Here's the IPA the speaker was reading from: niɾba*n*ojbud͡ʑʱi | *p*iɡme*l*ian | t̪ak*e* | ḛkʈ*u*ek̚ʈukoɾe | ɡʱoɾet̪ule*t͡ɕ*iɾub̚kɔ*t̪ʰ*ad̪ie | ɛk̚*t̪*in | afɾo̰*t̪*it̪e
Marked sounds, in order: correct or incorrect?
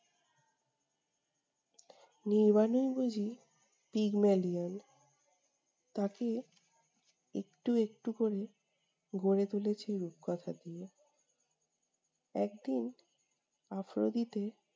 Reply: correct, correct, correct, correct, correct, incorrect, correct, incorrect, incorrect

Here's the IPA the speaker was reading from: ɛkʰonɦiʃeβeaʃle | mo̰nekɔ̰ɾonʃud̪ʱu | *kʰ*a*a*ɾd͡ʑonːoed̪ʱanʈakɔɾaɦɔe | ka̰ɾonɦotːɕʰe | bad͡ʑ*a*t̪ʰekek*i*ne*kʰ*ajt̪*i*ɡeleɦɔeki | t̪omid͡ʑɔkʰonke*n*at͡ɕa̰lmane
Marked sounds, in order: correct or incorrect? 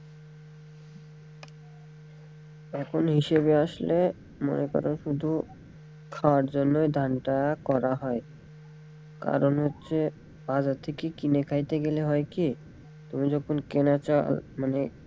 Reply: correct, correct, correct, correct, correct, incorrect, correct

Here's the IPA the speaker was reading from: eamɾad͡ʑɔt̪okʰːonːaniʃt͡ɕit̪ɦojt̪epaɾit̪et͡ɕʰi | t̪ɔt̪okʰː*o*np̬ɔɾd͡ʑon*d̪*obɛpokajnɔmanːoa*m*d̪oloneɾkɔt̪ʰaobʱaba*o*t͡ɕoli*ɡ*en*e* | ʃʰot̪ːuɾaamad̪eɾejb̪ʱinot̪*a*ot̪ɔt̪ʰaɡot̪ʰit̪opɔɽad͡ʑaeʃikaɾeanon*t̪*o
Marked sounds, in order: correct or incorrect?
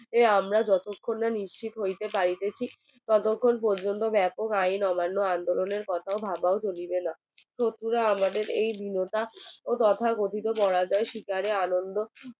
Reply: correct, incorrect, incorrect, correct, incorrect, incorrect, correct, incorrect

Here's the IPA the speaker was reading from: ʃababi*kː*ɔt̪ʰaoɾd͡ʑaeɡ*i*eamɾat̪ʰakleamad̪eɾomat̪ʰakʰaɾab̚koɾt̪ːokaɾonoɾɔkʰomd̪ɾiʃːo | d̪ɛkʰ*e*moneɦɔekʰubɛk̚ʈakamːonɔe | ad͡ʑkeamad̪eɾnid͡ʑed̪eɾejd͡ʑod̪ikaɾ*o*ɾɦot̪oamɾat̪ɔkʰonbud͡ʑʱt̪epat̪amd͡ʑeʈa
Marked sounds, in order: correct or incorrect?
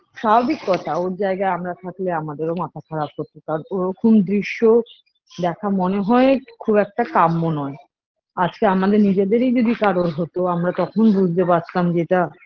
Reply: correct, incorrect, incorrect, correct

